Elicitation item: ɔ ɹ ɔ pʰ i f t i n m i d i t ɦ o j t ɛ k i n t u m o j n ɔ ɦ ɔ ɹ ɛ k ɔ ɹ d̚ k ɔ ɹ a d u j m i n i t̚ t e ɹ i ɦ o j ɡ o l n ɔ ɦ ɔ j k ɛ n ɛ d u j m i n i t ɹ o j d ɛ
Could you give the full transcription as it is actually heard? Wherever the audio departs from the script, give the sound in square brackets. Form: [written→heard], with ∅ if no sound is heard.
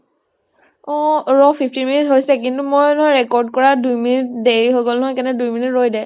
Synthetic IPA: ɔ ɹ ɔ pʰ i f t i n m i [d→n] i t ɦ o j [t→s] ɛ k i n t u m o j n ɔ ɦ ɔ ɹ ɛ k ɔ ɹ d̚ k ɔ ɹ a d u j m i n i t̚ [t→d] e ɹ i ɦ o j ɡ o l n ɔ ɦ ɔ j k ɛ n ɛ d u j m i n i t ɹ o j d ɛ